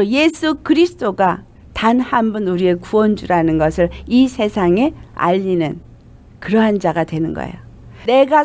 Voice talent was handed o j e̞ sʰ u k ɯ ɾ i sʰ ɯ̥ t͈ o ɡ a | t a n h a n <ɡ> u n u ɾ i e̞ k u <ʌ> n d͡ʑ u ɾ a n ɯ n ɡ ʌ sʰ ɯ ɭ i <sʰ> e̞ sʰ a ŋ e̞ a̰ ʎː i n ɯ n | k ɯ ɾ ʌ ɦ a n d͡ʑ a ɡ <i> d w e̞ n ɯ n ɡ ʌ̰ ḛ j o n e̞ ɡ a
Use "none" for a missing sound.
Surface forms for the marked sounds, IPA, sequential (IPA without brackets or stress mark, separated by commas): b, ʌ, sʰ, a